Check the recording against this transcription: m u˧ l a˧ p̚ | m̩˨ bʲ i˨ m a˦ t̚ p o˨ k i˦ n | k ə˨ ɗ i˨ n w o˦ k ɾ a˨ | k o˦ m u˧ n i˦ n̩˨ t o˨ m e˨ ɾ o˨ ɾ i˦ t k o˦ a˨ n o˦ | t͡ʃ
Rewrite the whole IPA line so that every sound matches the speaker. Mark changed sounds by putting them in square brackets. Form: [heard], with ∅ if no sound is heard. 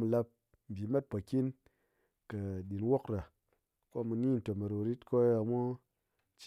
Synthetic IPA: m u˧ l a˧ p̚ | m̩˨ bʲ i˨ m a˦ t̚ p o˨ k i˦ n | k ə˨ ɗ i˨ n w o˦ k ɾ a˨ | k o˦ m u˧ n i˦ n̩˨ t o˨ m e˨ ɾ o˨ ɾ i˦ t k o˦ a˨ [m] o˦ | t͡ʃ